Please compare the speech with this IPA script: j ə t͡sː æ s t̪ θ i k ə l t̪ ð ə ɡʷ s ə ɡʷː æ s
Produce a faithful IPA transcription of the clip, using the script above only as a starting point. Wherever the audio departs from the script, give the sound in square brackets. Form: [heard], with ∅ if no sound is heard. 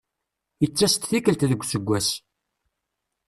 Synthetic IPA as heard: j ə t͡sː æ s t̪ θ i k ə l t̪ ð ə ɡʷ s ə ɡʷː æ s